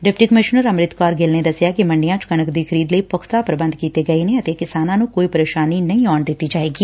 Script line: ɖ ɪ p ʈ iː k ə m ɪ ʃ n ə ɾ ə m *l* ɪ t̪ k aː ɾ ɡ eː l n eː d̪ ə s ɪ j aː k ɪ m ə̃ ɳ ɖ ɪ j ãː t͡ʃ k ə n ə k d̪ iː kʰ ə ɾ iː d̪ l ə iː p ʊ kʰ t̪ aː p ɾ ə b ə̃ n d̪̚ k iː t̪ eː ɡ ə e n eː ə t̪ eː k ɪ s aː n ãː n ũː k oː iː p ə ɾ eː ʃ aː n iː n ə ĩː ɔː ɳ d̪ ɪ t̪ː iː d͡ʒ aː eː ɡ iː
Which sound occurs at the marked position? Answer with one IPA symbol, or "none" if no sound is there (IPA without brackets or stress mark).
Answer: ɾ